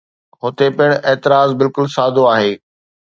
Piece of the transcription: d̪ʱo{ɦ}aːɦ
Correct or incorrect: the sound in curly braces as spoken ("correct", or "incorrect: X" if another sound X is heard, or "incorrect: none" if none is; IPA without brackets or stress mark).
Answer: incorrect: none